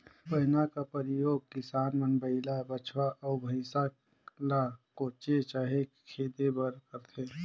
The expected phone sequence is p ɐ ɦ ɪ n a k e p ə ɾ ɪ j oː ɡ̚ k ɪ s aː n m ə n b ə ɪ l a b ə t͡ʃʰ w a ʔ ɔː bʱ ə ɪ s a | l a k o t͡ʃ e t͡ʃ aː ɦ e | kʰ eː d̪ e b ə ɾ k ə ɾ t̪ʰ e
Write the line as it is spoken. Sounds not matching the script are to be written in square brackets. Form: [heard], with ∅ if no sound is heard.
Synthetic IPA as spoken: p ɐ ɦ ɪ n a k [a] p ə ɾ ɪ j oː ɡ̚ k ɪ s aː n m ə n b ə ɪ l a b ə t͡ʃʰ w a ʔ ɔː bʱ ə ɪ s a | l a k o t͡ʃ e t͡ʃ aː ɦ e | kʰ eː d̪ e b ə ɾ k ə ɾ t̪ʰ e